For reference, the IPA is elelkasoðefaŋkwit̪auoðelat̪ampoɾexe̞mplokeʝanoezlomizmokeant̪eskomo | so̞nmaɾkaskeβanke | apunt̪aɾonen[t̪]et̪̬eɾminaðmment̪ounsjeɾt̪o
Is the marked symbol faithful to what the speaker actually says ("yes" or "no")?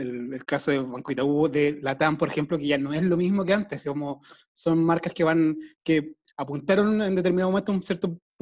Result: no